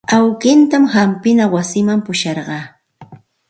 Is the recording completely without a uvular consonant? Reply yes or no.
no